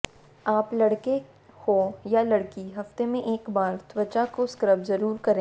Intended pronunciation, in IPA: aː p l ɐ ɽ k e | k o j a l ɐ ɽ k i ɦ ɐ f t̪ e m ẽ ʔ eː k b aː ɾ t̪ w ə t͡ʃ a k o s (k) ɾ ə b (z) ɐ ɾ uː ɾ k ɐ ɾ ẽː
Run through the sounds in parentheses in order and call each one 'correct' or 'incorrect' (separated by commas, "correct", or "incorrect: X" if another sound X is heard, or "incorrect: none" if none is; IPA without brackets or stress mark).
correct, correct